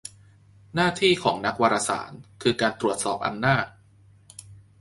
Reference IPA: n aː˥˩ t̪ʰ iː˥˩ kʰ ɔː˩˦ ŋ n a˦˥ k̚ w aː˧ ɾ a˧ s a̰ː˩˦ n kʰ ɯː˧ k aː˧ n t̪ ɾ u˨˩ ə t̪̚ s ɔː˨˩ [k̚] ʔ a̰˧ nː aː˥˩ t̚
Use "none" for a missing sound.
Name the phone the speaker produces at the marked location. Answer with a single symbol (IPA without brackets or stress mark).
p̚